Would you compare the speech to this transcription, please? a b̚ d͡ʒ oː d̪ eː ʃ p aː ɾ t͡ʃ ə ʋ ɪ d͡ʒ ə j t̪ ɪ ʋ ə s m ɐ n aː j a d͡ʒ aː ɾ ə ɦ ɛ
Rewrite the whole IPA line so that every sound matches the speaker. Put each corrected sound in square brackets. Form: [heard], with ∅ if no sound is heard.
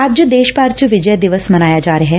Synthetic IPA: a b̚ d͡ʒ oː d̪ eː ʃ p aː ɾ t͡ʃ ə ʋ ɪ d͡ʒ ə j [d̪] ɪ ʋ ə s m ɐ n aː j a d͡ʒ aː ɾ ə ɦ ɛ